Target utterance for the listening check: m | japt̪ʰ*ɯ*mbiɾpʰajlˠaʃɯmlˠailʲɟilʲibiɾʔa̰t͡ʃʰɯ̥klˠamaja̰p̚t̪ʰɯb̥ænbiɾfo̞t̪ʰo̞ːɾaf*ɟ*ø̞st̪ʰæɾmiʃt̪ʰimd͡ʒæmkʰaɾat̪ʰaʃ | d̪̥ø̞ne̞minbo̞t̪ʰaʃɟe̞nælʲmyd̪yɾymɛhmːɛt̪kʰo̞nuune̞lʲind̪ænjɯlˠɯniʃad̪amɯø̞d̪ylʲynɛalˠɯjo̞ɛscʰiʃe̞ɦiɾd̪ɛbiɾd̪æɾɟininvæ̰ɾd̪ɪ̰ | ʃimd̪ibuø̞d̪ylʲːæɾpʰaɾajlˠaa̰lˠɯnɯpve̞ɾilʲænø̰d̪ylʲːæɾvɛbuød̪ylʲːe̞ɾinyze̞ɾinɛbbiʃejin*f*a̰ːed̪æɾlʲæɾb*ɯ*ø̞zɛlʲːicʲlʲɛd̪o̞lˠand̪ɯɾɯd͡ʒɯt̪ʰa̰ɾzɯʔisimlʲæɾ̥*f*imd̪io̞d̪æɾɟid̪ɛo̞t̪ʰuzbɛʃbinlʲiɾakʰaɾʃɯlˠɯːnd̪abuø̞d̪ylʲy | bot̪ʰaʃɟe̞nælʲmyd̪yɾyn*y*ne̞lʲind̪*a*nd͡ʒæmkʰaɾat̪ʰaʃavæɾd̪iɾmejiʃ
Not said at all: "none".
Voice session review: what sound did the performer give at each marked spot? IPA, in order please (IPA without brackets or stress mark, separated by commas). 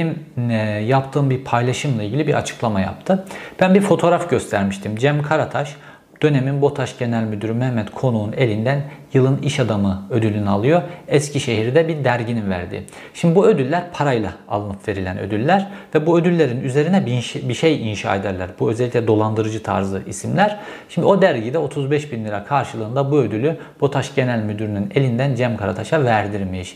ɯː, ɟ, ʃ, u, ʃ, y, æ